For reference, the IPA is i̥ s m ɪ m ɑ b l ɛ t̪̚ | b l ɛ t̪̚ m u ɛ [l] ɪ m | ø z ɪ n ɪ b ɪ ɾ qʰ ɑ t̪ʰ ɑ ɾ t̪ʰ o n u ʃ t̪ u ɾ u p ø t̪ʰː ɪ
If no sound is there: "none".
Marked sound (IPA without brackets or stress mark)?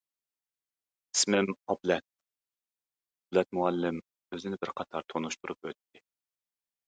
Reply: lː